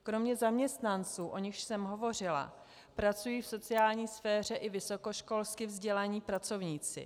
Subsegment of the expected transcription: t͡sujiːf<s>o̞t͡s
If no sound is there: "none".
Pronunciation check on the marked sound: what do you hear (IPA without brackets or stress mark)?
s